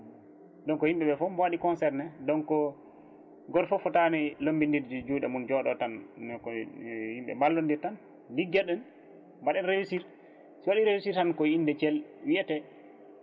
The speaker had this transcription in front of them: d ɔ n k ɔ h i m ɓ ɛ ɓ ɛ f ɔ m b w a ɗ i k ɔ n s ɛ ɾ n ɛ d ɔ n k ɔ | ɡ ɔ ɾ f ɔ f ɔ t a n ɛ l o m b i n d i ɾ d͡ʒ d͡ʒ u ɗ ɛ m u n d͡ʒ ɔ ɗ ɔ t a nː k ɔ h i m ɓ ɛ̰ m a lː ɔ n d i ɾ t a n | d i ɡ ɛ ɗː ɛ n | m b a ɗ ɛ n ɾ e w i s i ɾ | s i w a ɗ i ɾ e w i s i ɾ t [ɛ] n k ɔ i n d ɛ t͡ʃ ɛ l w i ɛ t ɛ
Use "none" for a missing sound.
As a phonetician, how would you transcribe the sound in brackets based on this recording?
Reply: a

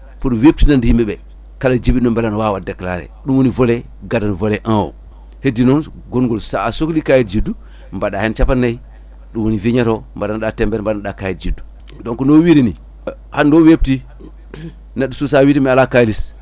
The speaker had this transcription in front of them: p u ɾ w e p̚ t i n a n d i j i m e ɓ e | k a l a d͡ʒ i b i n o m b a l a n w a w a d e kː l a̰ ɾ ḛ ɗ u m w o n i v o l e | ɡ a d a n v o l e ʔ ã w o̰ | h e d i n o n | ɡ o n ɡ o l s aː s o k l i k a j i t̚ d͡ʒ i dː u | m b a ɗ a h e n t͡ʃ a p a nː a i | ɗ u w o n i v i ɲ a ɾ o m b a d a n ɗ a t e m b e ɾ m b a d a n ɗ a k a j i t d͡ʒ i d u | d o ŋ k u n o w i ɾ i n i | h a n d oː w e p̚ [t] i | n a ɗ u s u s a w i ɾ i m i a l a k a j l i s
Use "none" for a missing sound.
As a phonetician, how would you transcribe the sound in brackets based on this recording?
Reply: t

